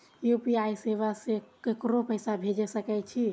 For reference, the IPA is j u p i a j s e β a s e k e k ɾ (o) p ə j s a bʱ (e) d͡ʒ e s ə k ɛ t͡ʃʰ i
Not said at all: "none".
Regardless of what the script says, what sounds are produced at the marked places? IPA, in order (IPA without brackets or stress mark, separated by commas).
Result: o, e